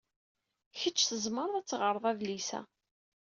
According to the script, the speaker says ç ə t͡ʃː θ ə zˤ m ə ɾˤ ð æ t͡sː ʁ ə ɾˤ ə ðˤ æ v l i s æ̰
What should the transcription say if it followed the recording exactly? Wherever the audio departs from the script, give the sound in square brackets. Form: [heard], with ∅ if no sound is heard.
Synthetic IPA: ç ə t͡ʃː θ ə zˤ m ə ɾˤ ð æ t͡sː ʁ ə ɾˤ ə ðˤ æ v l i s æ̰